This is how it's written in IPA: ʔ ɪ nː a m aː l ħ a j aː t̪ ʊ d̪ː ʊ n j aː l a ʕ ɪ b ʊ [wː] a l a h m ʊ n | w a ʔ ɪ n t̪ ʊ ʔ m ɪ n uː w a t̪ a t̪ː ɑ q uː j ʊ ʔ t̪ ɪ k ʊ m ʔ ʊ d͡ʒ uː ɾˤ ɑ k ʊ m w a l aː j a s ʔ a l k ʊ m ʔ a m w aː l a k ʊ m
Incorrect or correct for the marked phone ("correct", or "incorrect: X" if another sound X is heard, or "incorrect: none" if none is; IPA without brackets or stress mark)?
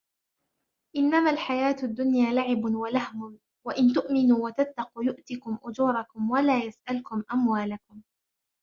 incorrect: w